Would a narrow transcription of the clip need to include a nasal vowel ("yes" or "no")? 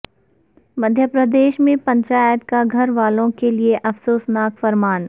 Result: yes